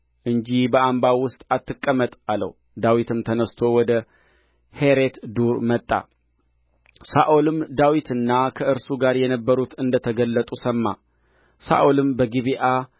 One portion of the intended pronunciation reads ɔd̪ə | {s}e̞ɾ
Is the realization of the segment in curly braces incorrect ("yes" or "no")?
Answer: yes